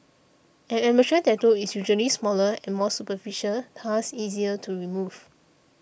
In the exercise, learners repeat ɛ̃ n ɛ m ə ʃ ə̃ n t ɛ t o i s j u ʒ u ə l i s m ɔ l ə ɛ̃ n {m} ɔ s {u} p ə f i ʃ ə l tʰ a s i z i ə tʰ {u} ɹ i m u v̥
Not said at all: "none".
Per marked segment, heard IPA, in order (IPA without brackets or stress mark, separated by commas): m, u, u